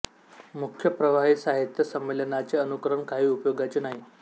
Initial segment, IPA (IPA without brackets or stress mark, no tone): m